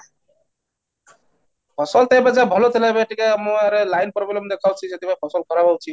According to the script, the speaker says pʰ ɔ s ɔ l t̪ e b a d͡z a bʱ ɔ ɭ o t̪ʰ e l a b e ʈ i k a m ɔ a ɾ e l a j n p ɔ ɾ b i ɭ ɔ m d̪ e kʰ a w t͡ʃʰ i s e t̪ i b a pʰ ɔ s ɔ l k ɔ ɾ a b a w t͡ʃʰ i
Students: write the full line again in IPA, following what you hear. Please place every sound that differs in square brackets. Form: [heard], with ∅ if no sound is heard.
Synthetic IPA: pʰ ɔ s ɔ l t̪ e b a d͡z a bʱ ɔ [l] o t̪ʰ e l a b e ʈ i k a m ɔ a ɾ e l a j n p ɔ ɾ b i [l] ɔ m d̪ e kʰ a w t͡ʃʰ i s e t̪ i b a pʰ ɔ s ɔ l k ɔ ɾ a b a w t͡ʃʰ i